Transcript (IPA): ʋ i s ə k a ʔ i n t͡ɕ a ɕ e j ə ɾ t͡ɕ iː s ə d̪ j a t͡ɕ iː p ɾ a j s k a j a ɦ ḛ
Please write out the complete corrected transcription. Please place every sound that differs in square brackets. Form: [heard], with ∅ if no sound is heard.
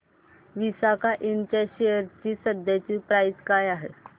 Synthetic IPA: ʋ i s [a] k a ʔ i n t͡ɕ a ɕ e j ə ɾ t͡ɕ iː s ə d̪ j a t͡ɕ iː p ɾ a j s k a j a ɦ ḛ